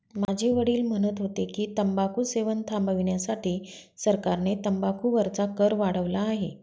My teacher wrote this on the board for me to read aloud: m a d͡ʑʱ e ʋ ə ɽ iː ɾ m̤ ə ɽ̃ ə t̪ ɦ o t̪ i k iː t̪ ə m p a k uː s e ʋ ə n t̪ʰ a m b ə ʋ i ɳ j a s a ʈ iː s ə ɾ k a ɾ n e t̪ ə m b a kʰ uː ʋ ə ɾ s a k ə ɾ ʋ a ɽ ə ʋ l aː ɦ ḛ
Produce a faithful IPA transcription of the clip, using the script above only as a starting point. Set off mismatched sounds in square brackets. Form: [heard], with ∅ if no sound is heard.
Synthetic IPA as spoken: m a d͡ʑʱ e ʋ ə ɽ iː [l] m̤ ə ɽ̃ ə t̪ ɦ o t̪ [e] k iː t̪ ə m [b] a k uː s e ʋ ə n t̪ʰ a m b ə ʋ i ɳ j a s a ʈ iː s ə ɾ k a ɾ n e t̪ ə m b a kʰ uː ʋ ə ɾ [t͡s] a k ə ɾ ʋ a ɽ ə ʋ l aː ɦ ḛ